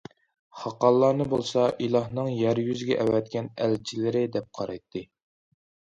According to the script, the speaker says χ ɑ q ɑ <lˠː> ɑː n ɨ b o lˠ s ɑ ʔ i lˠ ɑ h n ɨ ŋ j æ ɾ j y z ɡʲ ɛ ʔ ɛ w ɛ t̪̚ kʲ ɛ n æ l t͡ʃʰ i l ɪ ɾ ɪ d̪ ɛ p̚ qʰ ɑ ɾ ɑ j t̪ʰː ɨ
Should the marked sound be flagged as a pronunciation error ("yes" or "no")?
no